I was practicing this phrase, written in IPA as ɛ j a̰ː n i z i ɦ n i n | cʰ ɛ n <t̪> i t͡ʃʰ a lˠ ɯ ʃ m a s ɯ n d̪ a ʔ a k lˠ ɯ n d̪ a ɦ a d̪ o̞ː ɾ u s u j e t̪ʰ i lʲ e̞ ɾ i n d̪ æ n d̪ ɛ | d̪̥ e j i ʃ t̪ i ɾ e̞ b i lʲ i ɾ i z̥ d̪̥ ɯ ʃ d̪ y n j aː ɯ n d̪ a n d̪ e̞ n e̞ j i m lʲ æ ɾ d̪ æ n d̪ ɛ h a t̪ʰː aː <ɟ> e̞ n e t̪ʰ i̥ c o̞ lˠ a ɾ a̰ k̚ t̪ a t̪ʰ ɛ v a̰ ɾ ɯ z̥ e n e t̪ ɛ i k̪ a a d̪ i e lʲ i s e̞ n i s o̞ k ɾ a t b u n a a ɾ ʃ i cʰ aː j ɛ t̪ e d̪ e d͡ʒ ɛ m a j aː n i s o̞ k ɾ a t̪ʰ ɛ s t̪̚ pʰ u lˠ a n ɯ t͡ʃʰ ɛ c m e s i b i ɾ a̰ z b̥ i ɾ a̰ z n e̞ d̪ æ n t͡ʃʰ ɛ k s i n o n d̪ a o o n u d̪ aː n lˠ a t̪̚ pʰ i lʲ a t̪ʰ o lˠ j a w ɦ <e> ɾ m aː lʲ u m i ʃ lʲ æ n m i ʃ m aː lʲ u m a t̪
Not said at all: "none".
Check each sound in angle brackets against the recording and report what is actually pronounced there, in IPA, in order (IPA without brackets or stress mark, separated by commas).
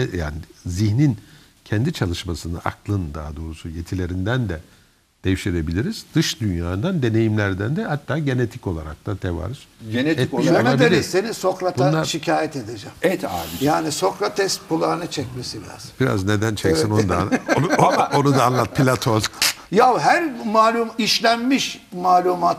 d̪, ɟ, æ